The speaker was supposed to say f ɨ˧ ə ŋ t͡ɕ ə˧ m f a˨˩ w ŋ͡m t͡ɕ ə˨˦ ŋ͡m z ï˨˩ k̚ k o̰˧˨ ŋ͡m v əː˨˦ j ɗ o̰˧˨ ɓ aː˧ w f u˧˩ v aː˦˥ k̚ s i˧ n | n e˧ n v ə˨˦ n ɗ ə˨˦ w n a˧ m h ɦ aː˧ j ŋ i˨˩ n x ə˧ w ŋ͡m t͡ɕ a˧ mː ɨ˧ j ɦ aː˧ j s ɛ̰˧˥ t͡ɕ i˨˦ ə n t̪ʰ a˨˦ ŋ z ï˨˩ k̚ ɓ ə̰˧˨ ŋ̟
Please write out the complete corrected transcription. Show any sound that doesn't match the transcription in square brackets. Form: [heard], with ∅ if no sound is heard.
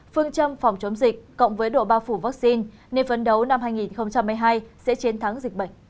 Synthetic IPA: f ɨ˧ ə ŋ t͡ɕ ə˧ m f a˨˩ w ŋ͡m t͡ɕ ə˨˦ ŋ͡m z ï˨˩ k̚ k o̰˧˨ ŋ͡m v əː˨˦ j ɗ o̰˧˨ ɓ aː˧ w f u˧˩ v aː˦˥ k̚ s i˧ n | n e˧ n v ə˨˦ n ɗ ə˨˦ w n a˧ m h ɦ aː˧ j ŋ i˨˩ n x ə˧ w ŋ͡m t͡ɕ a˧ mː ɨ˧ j ɦ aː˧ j s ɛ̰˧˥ t͡ɕ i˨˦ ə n t̪ʰ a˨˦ ŋ z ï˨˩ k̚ ɓ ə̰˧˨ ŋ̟